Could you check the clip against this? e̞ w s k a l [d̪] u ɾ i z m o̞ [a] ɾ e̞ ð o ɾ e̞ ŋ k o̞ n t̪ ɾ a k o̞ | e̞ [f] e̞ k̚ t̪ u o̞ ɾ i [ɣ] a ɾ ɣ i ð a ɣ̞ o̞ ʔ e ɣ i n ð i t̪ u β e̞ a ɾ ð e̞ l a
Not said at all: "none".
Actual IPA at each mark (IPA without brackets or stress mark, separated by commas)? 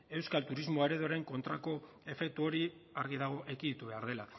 t̪, e, f, none